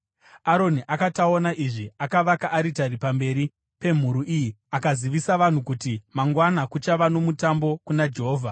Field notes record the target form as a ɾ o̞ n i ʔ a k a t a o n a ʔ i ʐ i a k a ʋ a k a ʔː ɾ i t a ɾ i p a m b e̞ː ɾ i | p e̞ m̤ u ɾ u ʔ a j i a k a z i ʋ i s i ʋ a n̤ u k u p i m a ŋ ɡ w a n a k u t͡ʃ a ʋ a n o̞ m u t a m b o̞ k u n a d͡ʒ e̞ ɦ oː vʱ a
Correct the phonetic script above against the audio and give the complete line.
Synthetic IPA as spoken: a ɾ o̞ n i ʔ a k a t a o n a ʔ i ʐ i a k a ʋ a k a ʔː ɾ i t a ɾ i p a m b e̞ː ɾ i | p e̞ m̤ u ɾ u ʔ i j i a k a z i ʋ i s a ʋ a n̤ u k u t i m a ŋ ɡ w a n a k u t͡ʃ a ʋ a n o̞ m u t a m b o̞ k u n a d͡ʒ e̞ ɦ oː vʱ a